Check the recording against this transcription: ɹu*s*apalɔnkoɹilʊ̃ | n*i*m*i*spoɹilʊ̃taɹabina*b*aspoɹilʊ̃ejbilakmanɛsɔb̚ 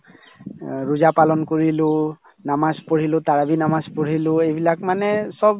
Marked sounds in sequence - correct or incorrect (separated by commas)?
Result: incorrect, incorrect, incorrect, incorrect